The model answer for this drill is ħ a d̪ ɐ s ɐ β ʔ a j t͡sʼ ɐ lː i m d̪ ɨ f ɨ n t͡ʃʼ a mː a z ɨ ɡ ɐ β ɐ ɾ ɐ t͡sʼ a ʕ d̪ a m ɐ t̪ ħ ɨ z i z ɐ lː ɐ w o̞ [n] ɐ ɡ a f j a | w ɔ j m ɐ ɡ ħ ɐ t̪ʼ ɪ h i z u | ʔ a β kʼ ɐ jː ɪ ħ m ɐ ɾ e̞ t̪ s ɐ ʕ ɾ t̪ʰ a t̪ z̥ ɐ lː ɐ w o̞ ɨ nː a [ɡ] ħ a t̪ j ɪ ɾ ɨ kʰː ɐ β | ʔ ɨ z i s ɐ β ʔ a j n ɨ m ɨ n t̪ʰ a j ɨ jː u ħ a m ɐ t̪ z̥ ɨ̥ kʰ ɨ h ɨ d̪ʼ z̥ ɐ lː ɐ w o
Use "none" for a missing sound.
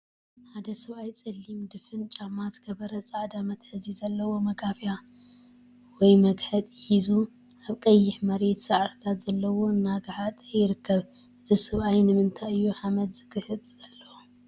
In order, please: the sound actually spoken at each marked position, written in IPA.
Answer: m, ɡ

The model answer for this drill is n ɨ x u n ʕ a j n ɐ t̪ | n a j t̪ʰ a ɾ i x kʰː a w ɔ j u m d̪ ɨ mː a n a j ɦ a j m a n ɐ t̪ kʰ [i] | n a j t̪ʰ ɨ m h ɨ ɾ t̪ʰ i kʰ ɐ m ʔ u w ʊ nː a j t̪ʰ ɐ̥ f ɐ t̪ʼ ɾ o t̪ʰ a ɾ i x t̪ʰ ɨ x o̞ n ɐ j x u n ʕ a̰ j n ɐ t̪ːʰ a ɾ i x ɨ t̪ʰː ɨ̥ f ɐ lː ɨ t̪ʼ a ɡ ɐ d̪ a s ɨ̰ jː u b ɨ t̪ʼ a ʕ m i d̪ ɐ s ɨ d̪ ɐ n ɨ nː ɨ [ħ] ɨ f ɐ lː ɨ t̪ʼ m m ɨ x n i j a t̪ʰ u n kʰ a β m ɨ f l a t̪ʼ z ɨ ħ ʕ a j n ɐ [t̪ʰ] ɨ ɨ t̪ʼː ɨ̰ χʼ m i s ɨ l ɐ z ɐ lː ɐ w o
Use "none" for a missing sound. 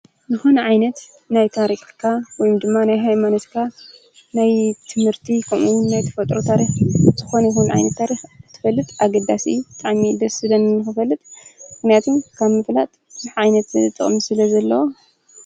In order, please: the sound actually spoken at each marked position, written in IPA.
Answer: a, x, t̪

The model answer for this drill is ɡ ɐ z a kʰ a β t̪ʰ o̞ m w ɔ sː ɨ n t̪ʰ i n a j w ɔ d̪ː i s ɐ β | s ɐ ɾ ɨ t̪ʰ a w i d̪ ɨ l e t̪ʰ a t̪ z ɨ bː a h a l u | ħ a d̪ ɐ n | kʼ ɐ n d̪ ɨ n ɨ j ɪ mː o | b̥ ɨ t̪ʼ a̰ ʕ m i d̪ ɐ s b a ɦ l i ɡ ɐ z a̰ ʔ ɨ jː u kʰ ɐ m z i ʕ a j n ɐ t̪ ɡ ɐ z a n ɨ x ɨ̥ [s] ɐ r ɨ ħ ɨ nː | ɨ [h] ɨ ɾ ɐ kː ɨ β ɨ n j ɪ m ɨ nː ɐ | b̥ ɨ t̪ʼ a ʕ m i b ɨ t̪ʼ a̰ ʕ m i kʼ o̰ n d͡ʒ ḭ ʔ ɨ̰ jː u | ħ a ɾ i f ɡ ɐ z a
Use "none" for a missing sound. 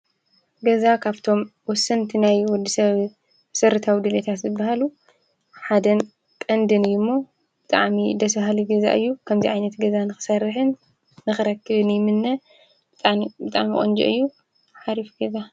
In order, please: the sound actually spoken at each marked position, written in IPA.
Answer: s, x

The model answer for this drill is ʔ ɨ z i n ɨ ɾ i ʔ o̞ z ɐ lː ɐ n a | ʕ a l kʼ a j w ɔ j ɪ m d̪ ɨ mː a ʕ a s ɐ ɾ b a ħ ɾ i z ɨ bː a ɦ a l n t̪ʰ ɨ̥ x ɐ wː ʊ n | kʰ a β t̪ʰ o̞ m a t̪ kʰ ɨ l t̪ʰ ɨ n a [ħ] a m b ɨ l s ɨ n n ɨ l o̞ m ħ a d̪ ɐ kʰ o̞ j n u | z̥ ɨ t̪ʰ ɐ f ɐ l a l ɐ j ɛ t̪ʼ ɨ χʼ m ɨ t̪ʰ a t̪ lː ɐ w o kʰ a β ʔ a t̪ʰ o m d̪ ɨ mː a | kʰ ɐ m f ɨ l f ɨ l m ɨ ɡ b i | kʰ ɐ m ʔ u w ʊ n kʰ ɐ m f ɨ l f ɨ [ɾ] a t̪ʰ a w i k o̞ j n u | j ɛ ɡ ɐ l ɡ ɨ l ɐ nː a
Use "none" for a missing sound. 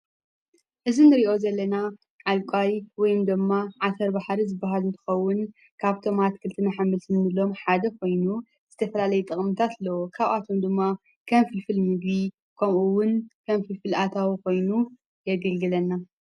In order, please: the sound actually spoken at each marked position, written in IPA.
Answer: ħ, l

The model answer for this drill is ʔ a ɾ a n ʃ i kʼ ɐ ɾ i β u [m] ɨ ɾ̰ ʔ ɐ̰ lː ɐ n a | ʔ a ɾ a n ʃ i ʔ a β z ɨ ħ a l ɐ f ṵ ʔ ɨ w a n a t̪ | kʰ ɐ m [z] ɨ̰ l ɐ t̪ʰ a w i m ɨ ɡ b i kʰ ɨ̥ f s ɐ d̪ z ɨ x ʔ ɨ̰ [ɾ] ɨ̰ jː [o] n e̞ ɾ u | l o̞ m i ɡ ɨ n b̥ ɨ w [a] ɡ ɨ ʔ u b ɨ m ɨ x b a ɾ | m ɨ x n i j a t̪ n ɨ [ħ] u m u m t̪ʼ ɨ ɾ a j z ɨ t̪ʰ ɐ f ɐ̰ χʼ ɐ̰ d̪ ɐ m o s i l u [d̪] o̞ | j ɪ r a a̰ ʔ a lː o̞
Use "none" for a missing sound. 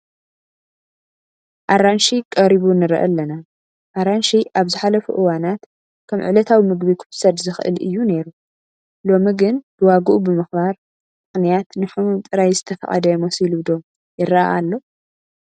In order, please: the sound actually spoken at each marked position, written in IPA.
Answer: n, ʕ, l, u, a, ħ, d̪

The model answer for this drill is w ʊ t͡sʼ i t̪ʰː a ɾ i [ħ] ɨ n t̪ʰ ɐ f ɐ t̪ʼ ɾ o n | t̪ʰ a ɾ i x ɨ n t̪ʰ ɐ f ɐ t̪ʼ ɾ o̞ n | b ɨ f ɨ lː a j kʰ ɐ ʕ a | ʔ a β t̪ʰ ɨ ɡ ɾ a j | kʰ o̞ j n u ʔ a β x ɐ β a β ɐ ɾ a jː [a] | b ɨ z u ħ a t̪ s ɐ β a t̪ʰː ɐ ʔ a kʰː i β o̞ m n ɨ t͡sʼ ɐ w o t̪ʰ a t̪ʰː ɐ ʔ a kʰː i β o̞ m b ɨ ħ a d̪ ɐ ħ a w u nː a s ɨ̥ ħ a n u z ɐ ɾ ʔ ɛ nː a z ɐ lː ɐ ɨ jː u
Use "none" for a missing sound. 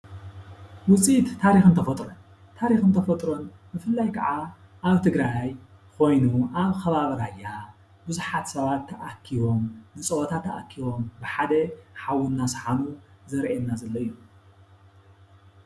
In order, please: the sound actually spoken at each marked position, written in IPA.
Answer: x, a

